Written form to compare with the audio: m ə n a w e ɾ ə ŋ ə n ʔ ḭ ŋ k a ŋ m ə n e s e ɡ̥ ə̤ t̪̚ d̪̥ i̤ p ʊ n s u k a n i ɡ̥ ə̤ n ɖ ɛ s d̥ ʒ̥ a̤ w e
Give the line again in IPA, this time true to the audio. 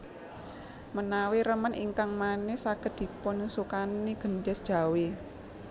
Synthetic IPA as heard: m ə n a w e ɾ ə m ə n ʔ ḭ ŋ k a ŋ m a n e s a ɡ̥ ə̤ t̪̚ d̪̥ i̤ p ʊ n s u k a n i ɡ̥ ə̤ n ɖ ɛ s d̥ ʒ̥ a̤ w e

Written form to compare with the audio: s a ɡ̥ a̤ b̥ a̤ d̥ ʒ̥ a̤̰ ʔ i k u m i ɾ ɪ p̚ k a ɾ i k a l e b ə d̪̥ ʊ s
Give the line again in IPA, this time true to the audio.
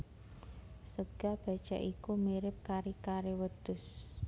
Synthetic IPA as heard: s ə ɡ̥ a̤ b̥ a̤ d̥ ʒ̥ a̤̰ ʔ i k u m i ɾ ɪ p̚ k a ɾ i k a ɾ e w ə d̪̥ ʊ s

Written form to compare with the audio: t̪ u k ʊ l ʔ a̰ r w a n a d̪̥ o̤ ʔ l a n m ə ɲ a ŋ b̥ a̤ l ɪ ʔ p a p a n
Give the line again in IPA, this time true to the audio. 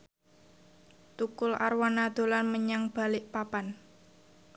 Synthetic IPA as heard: t̪ u k ʊ l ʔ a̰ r w a n a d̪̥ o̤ l a n m ə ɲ a ŋ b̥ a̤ l ɪ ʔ p a p a n

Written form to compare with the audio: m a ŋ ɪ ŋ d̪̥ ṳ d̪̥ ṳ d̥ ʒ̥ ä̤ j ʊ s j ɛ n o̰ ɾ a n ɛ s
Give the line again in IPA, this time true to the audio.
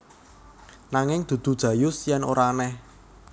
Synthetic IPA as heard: n a ŋ ɪ ŋ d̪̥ ṳ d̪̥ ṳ d̥ ʒ̥ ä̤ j ʊ s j ɛ n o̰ ɾ a n ɛ h

